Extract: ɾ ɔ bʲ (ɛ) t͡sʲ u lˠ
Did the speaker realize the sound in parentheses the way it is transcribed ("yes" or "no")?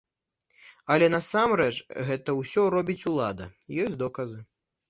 no